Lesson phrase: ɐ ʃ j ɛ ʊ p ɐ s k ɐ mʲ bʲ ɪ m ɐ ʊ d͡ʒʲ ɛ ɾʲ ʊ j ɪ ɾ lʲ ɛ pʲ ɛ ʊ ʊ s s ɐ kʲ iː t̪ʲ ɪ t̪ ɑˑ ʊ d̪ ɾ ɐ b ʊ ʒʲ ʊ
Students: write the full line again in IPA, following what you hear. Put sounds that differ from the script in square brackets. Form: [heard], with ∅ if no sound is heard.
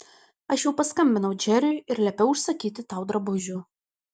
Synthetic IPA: ɐ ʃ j ɛ ʊ p ɐ s k ɐ mʲ bʲ ɪ [n] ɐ ʊ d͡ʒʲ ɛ ɾʲ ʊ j ɪ ɾ lʲ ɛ pʲ ɛ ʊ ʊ [ʃ] s ɐ kʲ iː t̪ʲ ɪ t̪ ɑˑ ʊ d̪ ɾ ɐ b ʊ ʒʲ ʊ